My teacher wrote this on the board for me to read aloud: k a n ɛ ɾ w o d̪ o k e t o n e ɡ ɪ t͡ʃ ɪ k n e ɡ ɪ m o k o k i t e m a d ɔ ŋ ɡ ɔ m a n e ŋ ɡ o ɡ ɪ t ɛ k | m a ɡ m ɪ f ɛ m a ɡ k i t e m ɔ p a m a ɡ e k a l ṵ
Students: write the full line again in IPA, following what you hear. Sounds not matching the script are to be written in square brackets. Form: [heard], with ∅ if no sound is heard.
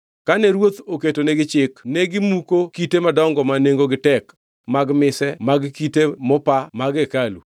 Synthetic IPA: k a n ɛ ɾ w o [t̪] o k e t o n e ɡ ɪ t͡ʃ ɪ k n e ɡ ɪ m [u] k o k i t e m a d ɔ ŋ ɡ ɔ m a n e ŋ ɡ o ɡ ɪ t ɛ k | m a ɡ m ɪ [s] ɛ m a ɡ k i t e m ɔ p a m a ɡ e k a l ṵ